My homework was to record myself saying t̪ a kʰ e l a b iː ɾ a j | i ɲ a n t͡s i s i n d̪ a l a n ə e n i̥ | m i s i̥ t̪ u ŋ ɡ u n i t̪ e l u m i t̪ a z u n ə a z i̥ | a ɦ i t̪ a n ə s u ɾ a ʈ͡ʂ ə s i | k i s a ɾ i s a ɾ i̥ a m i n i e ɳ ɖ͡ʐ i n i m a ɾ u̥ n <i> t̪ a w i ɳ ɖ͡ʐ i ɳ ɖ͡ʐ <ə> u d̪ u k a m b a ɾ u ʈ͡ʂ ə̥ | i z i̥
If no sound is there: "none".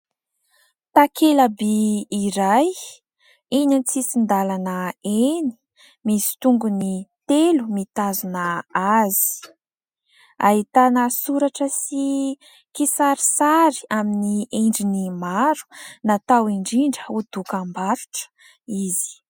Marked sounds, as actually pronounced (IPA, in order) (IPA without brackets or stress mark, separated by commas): a, ə